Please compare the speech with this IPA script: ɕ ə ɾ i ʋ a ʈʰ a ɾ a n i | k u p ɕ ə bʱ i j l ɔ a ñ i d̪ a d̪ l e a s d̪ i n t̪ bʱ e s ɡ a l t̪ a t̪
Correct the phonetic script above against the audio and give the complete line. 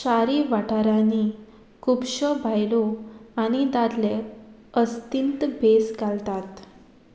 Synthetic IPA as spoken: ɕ a ɾ i ʋ a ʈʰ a ɾ a n i | k u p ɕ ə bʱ a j l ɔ a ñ i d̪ a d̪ l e ə s t̪ i n t̪ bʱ e s ɡ a l t̪ a t̪